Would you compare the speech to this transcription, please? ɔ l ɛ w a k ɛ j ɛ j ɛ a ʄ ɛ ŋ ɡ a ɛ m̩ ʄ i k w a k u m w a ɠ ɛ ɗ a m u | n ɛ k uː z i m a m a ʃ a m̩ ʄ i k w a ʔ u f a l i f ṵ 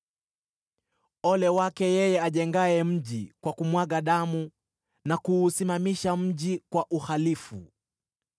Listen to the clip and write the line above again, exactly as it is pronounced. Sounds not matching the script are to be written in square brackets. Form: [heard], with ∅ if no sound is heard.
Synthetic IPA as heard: ɔ l ɛ w a k ɛ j ɛ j ɛ a ʄ ɛ ŋ ɡ a ɛ m̩ ʄ i k w a k u m w a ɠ [a] ɗ a m u | n [a] k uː [s] i m a m [i] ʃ a m̩ ʄ i k w a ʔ u [h] a l i f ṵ